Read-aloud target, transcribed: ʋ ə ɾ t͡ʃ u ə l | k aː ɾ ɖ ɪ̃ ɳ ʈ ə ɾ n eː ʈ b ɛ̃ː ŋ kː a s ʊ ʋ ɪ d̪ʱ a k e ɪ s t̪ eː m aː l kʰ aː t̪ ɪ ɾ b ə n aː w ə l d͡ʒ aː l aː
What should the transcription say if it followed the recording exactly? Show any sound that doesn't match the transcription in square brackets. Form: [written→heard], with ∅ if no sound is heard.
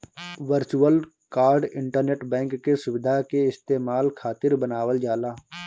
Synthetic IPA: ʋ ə ɾ t͡ʃ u ə l | k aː ɾ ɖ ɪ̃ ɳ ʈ ə ɾ n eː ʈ b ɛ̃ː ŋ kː [a→e] s ʊ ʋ ɪ d̪ʱ a k e ɪ s t̪ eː m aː l kʰ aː t̪ ɪ ɾ b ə n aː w ə l d͡ʒ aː l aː